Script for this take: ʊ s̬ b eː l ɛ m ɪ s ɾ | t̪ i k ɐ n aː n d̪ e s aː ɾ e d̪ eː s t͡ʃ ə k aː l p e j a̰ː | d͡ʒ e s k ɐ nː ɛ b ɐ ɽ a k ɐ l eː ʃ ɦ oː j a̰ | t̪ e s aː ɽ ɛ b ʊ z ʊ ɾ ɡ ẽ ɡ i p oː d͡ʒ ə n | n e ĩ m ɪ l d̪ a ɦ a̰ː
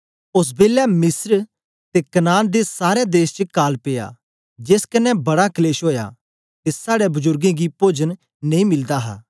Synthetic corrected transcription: ʊ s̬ b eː l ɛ m ɪ s ɾ | t̪ e k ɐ n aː n d̪ e s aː ɾ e d̪ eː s t͡ʃ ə k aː l p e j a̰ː | d͡ʒ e s k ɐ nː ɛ b ɐ ɽ a k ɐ l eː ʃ ɦ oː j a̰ | t̪ e s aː ɽ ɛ b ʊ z ʊ ɾ ɡ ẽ ɡ i p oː d͡ʒ ə n | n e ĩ m ɪ l d̪ a ɦ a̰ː